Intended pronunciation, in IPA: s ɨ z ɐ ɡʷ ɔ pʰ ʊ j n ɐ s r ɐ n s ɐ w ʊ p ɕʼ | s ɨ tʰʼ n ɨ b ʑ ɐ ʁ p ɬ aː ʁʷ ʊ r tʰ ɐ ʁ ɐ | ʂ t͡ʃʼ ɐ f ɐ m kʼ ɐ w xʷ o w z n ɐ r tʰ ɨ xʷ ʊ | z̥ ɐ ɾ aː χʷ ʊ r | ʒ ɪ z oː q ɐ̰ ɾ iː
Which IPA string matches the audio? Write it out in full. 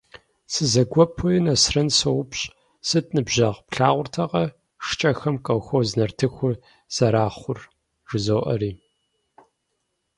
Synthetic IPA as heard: s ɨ z ɐ ɡʷ ɔ pʰ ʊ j n ɐ s r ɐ n s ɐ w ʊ p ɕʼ | s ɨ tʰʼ n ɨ b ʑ ɐ ʁ p ɬ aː ʁʷ ʊ r tʰ ɐ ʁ ɐ | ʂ t͡ʃʼ ɐ x ɐ m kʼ ɐ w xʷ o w z n ɐ r tʰ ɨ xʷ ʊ | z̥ ɐ ɾ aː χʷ ʊ r | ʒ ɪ z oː ʔ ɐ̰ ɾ iː